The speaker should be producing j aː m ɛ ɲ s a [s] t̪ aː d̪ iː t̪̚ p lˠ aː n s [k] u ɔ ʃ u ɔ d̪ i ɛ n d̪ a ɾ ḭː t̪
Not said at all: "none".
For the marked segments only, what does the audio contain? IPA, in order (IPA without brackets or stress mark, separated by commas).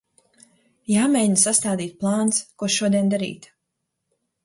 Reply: s, k